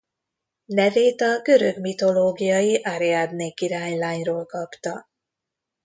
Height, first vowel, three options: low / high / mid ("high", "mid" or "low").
mid